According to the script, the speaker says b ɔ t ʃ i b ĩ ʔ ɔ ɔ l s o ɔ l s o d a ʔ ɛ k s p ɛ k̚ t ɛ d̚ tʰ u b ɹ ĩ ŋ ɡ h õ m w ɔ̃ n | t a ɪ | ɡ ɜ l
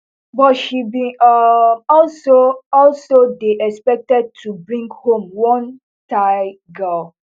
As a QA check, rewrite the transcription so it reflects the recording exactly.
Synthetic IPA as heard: b ɔ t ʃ i b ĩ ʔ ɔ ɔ l s o ɔ l s o d e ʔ ɛ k s p ɛ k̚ t ɛ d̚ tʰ u b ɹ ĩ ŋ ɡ h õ m w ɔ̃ n | t a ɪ | ɡ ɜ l